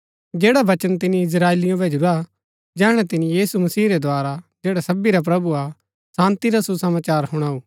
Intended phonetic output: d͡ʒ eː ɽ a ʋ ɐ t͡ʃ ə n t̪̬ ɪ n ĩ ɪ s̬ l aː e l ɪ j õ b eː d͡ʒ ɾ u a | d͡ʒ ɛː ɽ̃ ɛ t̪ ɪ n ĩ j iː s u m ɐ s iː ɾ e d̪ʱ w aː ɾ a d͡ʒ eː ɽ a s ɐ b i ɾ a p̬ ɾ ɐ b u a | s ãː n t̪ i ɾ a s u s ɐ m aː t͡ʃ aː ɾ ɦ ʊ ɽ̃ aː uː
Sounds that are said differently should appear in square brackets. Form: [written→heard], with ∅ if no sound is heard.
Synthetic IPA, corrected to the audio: d͡ʒ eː ɽ a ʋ ɐ t͡ʃ ə n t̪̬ ɪ n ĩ ɪ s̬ [l→ɾ] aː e l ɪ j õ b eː d͡ʒ ɾ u a | d͡ʒ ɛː ɽ̃ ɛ t̪ ɪ n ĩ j iː s u m ɐ s iː ɾ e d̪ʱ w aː ɾ a d͡ʒ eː ɽ a s ɐ b i ɾ a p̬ ɾ ɐ b u a | s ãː n t̪ i ɾ a s u s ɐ m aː t͡ʃ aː ɾ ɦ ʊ ɽ̃ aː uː